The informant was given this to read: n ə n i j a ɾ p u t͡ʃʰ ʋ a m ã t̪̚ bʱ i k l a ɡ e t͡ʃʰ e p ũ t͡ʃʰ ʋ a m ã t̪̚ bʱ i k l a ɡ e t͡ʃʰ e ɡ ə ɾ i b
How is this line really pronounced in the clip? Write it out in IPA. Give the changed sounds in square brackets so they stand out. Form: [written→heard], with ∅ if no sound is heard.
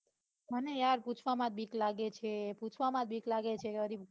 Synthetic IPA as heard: [n→m] ə n [i→e] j a ɾ p u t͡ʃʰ ʋ a m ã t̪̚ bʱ i k l a ɡ e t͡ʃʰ e p [ũ→u] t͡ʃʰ ʋ a m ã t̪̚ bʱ i k l a ɡ e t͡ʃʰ e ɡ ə ɾ i b